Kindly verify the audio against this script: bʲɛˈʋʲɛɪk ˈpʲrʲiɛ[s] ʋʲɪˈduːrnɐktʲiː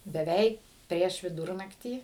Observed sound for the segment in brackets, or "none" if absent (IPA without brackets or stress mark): ʃ